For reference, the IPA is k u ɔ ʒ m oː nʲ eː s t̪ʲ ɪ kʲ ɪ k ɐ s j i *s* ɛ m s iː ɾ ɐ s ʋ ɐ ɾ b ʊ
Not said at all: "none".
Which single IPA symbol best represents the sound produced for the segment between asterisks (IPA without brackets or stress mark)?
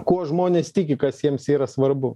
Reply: none